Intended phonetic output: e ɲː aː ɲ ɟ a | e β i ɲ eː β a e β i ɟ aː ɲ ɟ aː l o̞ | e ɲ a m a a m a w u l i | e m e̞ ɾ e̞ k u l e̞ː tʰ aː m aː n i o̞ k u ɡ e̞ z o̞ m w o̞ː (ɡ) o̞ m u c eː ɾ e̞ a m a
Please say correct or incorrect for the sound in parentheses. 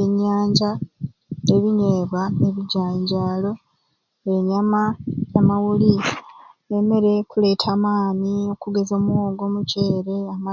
correct